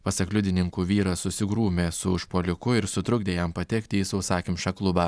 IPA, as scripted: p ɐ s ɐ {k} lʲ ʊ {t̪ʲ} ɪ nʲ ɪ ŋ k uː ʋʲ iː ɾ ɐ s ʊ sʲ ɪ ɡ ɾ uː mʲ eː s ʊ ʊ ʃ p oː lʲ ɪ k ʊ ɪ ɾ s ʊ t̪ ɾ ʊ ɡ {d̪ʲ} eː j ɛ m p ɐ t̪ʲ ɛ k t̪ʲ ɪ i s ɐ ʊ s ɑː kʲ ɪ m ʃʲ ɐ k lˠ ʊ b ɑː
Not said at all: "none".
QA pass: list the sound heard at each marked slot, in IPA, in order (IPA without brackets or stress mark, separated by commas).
k, d̪ʲ, d̪ʲ